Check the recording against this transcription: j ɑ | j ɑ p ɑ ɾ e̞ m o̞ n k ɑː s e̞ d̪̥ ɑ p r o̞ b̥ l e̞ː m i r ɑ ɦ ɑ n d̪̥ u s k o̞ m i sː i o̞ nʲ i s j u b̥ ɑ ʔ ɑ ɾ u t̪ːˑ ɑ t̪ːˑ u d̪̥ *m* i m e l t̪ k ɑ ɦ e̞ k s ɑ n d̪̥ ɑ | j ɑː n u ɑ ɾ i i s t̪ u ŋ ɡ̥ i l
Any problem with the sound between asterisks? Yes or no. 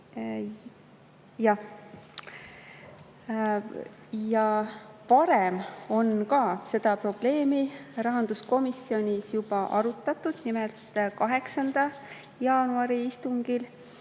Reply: yes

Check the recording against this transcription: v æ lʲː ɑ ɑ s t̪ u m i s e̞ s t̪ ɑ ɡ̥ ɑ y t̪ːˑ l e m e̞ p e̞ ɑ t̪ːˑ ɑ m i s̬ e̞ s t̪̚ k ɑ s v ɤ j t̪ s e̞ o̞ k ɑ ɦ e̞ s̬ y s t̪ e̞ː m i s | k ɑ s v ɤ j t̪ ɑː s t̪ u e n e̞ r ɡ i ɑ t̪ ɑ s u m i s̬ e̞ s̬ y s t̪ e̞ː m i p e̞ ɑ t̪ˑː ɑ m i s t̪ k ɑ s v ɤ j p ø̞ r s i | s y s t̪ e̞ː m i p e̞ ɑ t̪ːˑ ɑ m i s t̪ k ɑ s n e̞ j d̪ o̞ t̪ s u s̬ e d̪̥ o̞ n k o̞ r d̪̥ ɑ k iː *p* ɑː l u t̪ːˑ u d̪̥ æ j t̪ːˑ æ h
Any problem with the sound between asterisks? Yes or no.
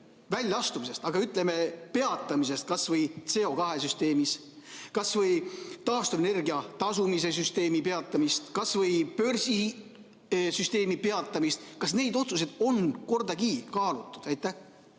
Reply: yes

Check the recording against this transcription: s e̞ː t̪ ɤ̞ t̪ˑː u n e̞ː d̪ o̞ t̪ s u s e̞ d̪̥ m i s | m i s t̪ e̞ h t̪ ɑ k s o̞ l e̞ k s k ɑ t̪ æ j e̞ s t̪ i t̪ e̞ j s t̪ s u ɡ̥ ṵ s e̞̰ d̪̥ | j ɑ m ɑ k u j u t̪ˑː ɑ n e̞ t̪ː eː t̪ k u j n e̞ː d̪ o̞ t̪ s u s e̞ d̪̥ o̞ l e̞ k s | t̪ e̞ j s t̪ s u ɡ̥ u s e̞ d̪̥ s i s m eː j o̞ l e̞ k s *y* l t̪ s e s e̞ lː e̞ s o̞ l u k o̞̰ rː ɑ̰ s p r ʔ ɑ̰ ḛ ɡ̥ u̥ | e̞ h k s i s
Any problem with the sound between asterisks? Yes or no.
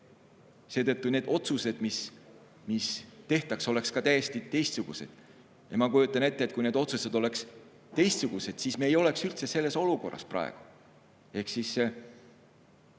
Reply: no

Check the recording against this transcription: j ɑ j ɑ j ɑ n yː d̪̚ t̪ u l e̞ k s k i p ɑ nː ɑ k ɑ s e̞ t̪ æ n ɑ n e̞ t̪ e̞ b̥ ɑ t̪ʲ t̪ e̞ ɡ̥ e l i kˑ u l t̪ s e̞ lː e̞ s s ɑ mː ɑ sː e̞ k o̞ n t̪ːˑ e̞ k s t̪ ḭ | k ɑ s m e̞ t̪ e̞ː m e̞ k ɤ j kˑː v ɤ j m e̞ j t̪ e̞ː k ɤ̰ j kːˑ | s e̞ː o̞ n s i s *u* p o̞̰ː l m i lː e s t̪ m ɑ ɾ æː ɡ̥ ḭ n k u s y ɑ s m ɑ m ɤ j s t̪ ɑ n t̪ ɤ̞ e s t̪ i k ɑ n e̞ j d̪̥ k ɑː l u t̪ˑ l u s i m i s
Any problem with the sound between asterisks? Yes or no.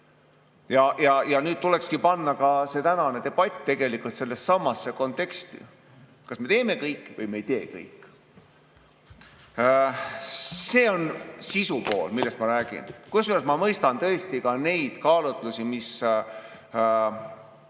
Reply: no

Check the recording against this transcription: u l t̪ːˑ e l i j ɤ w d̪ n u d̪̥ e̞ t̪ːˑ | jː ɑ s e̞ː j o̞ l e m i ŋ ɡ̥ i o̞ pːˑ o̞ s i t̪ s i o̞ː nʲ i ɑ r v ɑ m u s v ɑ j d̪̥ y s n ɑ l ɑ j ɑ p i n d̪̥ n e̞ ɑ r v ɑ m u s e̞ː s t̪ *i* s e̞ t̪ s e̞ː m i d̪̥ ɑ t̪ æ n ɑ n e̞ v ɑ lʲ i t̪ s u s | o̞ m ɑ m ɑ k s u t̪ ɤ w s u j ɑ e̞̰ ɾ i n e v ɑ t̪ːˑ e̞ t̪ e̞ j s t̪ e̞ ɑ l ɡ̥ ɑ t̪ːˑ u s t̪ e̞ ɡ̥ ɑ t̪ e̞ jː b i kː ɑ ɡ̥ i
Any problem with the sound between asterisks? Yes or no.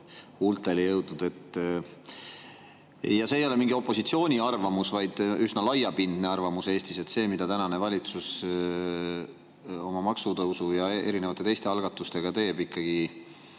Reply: no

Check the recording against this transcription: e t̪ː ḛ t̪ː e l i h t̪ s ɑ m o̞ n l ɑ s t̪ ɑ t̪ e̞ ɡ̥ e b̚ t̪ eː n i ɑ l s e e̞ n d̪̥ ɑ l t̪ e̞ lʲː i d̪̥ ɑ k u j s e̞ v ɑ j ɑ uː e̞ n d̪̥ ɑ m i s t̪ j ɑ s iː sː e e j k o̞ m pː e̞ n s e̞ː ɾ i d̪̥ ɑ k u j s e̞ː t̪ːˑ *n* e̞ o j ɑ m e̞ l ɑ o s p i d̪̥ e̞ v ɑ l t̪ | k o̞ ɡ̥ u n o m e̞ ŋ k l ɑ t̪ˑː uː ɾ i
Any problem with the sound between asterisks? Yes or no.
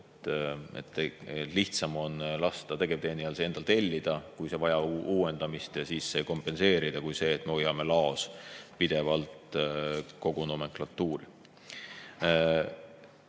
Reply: yes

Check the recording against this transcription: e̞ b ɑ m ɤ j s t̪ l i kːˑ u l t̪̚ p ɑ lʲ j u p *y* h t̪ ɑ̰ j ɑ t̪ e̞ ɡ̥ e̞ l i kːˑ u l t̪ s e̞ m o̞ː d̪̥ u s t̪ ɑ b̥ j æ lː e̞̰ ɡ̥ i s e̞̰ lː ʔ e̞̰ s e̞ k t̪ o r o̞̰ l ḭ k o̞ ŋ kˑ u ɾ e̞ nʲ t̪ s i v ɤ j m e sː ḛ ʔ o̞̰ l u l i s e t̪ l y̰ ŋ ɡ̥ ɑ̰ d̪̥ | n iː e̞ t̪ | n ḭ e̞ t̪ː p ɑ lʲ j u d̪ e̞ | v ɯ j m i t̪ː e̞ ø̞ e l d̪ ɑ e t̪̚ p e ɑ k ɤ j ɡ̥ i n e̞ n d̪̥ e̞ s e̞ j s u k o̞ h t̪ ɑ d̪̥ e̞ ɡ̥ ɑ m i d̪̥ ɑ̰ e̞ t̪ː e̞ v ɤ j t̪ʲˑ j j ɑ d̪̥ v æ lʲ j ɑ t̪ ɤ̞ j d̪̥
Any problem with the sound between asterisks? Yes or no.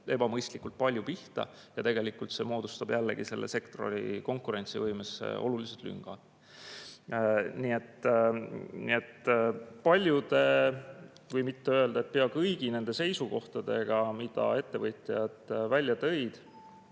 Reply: yes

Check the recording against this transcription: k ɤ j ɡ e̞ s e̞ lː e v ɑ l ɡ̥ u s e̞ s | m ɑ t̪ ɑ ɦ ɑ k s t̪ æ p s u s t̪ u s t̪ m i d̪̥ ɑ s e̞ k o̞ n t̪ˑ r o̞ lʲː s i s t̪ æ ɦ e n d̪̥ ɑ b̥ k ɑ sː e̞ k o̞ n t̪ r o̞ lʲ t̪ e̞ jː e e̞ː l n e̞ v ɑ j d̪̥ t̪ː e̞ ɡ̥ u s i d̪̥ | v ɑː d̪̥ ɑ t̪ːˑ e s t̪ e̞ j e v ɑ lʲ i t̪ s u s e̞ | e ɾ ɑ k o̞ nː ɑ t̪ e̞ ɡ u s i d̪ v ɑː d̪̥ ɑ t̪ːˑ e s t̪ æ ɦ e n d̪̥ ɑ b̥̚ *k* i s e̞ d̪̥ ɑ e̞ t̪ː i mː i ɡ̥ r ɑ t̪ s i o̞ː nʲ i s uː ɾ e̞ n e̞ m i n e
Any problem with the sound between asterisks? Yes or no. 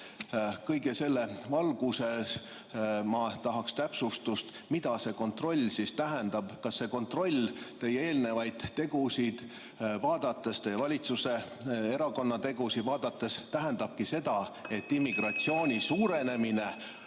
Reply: no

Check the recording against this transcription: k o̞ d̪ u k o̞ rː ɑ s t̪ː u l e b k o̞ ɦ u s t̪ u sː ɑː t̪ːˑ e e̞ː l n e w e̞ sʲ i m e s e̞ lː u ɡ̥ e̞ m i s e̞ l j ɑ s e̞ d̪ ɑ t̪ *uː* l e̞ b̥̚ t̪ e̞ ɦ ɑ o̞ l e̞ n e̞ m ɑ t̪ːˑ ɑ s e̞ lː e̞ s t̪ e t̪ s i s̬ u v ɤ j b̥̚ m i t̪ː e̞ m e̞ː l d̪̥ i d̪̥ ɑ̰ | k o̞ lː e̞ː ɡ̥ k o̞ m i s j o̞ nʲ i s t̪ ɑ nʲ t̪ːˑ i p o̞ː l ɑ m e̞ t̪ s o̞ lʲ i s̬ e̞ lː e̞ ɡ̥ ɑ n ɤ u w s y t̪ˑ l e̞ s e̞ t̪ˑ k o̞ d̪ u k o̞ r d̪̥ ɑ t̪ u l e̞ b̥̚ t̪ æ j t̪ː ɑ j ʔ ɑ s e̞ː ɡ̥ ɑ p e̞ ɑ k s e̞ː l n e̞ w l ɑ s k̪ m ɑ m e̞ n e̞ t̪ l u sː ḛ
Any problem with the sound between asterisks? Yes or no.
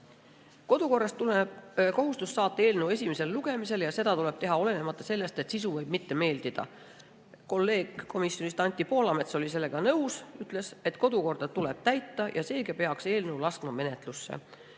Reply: yes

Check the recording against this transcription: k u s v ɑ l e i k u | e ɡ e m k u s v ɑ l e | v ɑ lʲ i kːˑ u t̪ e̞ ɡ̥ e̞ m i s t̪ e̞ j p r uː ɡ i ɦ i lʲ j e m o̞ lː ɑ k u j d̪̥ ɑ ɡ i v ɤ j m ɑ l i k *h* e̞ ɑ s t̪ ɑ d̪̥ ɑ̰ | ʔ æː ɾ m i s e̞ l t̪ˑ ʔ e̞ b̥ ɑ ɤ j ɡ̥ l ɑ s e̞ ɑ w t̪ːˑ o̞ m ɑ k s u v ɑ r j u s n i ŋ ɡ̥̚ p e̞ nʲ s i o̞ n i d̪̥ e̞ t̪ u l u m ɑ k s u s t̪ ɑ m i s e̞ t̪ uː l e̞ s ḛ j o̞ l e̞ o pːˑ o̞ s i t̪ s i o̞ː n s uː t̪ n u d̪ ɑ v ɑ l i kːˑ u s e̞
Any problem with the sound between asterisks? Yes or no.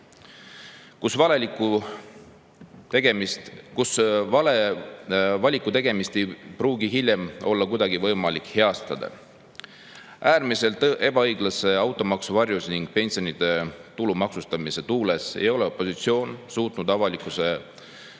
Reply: no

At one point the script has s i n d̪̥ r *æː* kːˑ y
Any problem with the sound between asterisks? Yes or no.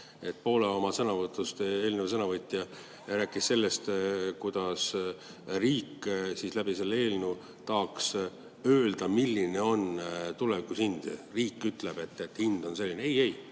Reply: yes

